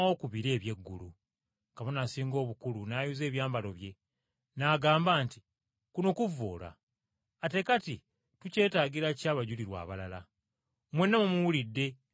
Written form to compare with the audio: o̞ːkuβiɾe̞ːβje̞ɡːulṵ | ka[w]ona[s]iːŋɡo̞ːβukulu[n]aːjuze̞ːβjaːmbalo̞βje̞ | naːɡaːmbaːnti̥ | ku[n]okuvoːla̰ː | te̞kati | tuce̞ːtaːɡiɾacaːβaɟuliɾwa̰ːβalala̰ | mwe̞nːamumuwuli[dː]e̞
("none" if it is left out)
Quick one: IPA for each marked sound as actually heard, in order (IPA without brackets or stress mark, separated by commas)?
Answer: β, s, n, n, dː